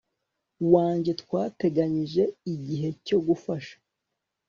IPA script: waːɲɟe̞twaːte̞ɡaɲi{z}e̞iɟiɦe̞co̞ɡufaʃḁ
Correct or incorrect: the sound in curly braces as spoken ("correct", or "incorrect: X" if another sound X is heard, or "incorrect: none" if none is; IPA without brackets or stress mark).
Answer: incorrect: ʒ